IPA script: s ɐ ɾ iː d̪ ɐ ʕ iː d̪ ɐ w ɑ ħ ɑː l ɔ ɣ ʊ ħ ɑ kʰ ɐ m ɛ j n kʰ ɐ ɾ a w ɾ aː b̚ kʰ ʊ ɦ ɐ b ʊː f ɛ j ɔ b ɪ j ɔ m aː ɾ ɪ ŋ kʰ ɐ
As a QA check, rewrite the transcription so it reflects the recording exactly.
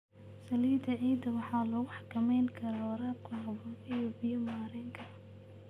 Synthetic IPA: s ɐ l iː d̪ ɐ ʕ iː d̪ ɐ w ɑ ħ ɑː l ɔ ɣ ʊ ħ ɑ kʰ ɐ m ɛ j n kʰ ɐ ɾ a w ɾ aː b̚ kʰ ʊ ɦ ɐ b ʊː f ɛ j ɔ b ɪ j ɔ m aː ɾ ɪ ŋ kʰ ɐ